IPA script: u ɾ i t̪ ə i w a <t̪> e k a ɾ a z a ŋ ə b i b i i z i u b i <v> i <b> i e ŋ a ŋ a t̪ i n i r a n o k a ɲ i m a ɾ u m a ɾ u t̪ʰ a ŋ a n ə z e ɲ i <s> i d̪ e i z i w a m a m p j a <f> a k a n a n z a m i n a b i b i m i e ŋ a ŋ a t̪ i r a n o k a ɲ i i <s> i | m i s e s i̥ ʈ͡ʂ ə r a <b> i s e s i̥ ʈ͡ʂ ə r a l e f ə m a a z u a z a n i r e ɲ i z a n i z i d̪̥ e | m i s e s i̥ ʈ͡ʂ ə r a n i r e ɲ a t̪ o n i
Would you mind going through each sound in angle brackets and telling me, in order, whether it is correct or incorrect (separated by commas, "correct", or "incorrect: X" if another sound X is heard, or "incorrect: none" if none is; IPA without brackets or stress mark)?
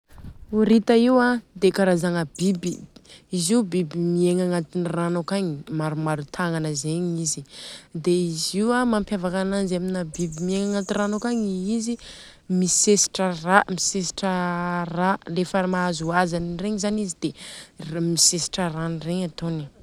incorrect: d̪, incorrect: b, incorrect: m, incorrect: z, incorrect: v, incorrect: z, incorrect: m